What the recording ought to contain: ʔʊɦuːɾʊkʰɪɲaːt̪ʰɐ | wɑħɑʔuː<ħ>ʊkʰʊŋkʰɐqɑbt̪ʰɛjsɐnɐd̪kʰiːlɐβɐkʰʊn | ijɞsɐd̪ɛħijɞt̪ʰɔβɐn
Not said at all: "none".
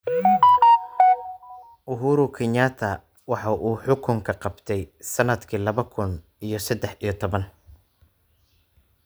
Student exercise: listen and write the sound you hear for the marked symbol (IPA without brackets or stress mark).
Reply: ħ